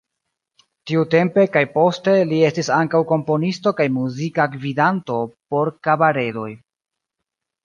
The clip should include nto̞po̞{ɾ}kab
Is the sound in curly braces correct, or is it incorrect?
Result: correct